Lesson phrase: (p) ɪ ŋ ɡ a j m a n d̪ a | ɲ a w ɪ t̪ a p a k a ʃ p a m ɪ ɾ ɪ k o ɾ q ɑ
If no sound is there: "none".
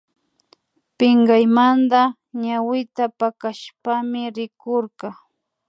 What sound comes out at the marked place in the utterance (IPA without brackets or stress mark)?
p